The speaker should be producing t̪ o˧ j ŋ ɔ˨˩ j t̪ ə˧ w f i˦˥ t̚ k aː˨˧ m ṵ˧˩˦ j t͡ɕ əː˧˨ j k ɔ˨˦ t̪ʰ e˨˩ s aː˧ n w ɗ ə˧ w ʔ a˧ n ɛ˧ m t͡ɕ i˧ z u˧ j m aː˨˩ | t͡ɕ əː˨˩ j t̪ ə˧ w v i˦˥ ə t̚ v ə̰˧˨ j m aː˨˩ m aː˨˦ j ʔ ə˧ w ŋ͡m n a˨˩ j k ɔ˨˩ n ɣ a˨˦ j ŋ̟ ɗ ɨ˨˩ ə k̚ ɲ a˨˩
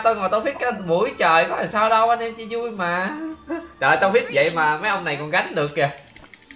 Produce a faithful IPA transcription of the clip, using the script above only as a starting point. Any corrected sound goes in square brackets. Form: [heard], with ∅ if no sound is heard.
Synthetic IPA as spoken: t̪ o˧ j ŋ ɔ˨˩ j t̪ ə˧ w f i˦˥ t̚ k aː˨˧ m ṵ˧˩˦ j t͡ɕ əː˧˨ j k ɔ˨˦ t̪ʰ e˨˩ s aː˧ [∅] w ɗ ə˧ w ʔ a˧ n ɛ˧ m t͡ɕ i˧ z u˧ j m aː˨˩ | t͡ɕ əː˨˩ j t̪ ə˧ w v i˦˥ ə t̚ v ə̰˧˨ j m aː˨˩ m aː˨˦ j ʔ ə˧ w ŋ͡m n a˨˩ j k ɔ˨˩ n ɣ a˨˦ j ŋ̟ ɗ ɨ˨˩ ə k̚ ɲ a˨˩